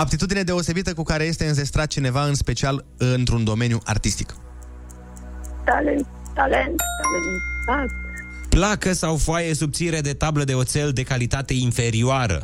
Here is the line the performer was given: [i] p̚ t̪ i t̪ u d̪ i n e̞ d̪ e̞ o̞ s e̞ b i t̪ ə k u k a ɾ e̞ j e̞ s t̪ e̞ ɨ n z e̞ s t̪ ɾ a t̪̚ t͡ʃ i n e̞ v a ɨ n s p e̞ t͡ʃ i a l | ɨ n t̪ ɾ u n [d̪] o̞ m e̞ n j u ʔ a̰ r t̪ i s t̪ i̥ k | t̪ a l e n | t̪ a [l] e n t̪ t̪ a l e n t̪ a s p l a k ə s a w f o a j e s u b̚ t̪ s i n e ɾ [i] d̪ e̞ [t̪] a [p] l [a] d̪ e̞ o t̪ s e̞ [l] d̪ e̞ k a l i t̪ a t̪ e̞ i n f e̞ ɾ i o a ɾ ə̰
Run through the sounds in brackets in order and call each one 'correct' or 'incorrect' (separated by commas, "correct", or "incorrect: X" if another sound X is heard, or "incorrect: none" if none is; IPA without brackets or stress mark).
incorrect: a, correct, correct, incorrect: e, correct, incorrect: b, incorrect: ə, correct